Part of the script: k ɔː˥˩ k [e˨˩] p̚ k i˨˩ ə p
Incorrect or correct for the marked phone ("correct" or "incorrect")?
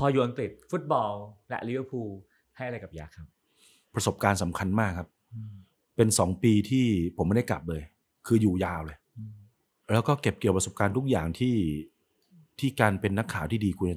correct